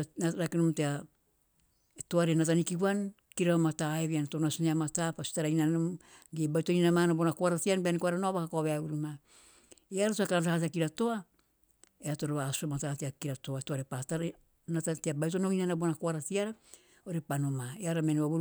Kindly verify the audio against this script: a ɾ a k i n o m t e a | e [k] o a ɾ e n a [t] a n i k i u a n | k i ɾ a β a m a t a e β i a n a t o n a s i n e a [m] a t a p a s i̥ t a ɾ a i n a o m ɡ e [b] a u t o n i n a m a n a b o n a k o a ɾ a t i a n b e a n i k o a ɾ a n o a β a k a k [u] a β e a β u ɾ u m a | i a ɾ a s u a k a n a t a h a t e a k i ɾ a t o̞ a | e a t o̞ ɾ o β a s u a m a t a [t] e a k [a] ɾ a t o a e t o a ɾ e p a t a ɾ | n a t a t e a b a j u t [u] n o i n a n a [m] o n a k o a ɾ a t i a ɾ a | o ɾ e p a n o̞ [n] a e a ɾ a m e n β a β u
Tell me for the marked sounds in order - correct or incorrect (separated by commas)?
incorrect, correct, correct, correct, incorrect, correct, incorrect, incorrect, incorrect, incorrect